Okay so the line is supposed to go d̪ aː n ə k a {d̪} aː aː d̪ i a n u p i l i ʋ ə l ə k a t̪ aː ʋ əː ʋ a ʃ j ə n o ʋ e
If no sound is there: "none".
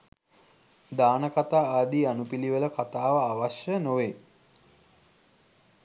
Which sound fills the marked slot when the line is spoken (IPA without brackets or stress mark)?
t̪